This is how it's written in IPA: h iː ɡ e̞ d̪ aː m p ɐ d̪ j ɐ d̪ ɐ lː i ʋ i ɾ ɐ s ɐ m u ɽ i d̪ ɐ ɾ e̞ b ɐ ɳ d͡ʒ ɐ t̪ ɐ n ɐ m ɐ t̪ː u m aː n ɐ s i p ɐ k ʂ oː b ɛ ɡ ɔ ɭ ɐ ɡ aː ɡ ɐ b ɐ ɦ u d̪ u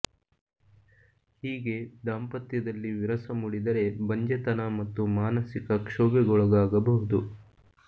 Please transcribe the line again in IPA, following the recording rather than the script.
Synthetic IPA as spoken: h iː ɡ e̞ d̪ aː m p ɐ t̪ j ɐ d̪ ɐ lː i ʋ i ɾ ɐ s ɐ m u ɽ i d̪ ɐ ɾ e̞ b ɐ ɲ d͡ʒ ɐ t̪ ɐ n ɐ m ɐ t̪ː u m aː n ɐ s i k ɐ k ʂ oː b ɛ ɡ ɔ ɭ ɐ ɡ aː ɡ ɐ b ɐ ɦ u d̪ u